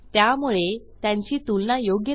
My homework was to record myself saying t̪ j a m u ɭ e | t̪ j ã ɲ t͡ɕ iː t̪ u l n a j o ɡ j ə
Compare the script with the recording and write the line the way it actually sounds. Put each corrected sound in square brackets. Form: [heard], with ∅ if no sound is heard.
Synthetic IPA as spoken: t̪ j a m u ɭ e | t̪ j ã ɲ t͡ɕ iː t̪ u l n a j o ɡ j ə